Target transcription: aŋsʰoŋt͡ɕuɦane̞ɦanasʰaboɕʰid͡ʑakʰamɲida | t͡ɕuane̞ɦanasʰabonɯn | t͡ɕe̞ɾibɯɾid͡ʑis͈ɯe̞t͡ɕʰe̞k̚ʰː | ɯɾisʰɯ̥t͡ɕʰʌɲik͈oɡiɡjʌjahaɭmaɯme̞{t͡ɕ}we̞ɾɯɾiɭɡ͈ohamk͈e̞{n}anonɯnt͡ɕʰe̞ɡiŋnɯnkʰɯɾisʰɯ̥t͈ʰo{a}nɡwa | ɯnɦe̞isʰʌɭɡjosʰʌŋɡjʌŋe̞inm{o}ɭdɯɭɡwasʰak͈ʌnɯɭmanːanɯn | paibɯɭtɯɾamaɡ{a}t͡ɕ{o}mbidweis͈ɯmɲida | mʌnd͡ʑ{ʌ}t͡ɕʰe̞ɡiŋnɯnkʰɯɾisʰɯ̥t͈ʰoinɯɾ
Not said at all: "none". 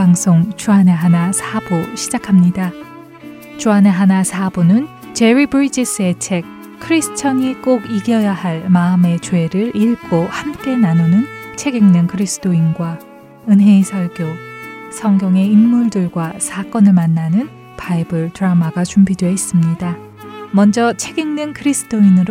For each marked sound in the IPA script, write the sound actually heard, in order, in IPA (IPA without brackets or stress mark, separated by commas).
t͡ɕ, n, i, u, a, u, ʌ